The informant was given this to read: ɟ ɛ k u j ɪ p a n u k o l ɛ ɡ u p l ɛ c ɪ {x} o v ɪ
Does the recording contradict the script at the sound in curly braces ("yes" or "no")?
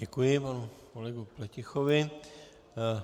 no